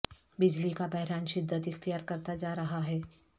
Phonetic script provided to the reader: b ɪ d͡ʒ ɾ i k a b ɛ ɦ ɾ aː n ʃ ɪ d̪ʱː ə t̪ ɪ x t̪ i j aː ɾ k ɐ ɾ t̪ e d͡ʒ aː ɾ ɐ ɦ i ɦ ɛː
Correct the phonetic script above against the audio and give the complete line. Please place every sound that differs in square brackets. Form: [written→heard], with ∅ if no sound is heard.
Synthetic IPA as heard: b ɪ d͡ʒ [ɾ→l] i k a b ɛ ɦ ɾ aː n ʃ ɪ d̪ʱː ə t̪ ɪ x t̪ i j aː ɾ k ɐ ɾ t̪ [e→a] d͡ʒ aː ɾ ɐ ɦ [i→a] ɦ ɛː